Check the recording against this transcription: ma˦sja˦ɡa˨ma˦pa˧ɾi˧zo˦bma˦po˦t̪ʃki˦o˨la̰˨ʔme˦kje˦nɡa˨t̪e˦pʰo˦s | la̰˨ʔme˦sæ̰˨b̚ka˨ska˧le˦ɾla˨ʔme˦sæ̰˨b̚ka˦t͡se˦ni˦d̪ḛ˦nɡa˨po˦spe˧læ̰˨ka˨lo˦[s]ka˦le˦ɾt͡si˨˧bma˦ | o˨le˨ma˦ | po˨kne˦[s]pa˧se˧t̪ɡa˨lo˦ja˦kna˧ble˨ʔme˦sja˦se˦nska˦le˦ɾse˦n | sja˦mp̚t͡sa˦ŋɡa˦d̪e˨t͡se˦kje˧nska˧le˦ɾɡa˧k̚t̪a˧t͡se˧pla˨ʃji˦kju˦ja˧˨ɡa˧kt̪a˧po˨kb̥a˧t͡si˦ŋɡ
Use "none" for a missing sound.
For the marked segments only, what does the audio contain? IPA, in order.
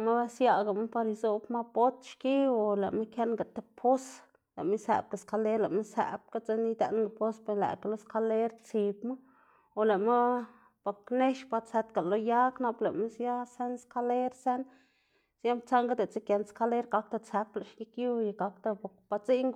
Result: s, ʃ

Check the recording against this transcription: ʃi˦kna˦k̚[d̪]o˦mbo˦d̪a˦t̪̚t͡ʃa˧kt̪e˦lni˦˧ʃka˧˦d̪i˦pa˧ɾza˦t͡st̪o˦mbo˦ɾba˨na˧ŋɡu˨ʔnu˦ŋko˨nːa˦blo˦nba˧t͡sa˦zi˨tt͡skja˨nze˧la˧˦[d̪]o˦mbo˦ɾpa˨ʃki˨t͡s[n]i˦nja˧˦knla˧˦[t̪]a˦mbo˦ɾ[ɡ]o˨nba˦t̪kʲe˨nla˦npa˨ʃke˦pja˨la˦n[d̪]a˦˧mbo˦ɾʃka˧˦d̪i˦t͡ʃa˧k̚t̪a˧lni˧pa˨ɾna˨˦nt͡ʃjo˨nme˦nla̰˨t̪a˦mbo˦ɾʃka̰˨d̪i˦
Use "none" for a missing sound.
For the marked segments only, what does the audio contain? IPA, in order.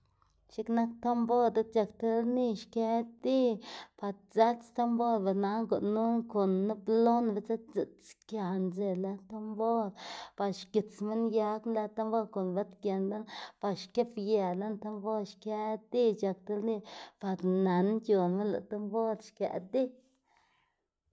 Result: t̪, t̪, m, t̪, k, t̪

